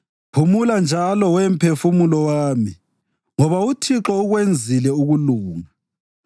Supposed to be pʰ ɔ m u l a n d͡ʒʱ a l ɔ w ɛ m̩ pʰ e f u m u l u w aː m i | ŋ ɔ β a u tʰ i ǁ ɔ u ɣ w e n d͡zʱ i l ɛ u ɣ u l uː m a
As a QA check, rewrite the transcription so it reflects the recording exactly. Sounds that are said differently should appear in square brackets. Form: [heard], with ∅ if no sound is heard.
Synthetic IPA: pʰ [u] m u l a n d͡ʒʱ a l ɔ w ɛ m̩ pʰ e f u m u l [ɔ] w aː m i | ŋ ɔ β a u tʰ i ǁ ɔ u ɣ w e n d͡zʱ i l ɛ u ɣ u l uː [ŋ] a